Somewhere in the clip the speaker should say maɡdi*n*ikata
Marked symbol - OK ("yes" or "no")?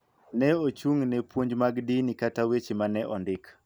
yes